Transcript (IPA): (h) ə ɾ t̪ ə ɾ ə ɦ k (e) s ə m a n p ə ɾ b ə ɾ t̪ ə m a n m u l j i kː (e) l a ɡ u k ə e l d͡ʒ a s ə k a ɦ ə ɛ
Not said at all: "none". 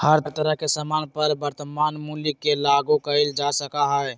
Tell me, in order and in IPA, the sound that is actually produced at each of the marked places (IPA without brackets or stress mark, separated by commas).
h, e, e